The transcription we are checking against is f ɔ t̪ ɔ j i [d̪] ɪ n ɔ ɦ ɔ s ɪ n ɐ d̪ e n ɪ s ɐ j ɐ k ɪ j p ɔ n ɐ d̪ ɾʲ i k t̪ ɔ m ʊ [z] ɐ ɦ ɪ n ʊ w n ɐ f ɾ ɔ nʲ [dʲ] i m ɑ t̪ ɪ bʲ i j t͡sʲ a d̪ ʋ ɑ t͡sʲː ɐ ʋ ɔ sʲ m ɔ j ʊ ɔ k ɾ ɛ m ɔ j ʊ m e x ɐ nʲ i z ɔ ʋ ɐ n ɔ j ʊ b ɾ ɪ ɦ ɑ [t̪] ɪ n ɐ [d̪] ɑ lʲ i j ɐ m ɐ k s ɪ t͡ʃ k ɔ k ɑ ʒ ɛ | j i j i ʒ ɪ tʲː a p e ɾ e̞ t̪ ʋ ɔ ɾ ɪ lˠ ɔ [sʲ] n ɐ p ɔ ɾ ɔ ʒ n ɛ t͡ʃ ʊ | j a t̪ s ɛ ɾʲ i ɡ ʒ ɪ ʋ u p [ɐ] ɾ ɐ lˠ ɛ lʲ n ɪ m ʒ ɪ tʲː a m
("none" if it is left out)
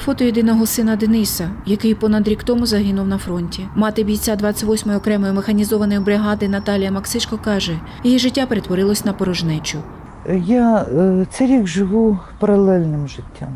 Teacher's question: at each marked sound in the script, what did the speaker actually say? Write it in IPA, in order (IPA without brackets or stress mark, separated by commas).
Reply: d̪, z, tʲ, d̪, t̪, sʲ, ɐ